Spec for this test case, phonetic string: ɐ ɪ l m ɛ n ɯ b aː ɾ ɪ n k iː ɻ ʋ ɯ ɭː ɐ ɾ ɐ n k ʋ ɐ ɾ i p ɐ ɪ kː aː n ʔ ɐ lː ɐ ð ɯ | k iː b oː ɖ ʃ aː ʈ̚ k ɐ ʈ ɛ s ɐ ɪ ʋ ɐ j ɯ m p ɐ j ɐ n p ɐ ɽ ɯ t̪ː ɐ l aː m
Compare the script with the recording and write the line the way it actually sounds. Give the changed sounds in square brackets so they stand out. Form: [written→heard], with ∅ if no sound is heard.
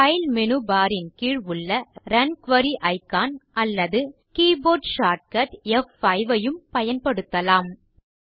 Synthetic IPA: ɐ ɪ l m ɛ n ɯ b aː ɾ ɪ n k iː ɻ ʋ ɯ ɭː ɐ ɾ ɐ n k ʋ ɐ ɾ i [p→ʔ] ɐ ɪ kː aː n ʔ ɐ lː ɐ ð ɯ | k iː b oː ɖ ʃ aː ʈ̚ k ɐ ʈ ɛ [s→f] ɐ ɪ ʋ ɐ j ɯ m p ɐ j ɐ n p ɐ ɽ ɯ t̪ː ɐ l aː m